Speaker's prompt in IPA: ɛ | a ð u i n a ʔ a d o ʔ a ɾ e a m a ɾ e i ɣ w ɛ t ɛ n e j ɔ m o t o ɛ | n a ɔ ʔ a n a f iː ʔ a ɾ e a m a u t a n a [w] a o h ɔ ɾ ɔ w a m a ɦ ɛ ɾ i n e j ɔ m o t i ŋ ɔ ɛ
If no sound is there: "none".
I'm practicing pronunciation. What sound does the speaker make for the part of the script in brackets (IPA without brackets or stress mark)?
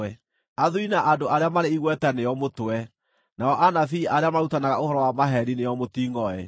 ɣ